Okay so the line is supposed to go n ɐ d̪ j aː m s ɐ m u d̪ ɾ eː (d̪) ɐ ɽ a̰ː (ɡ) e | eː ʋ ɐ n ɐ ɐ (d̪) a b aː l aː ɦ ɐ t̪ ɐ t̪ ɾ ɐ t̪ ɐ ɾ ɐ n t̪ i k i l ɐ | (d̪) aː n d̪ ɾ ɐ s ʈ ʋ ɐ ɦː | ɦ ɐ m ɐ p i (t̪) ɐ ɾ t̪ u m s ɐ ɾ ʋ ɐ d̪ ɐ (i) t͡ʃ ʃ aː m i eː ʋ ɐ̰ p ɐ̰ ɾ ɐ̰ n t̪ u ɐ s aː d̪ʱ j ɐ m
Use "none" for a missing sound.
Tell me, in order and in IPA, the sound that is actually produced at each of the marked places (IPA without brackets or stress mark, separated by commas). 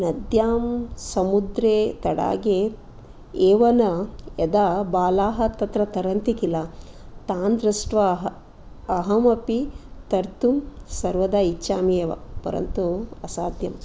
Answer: t̪, ɡ, d̪, t̪, t̪, i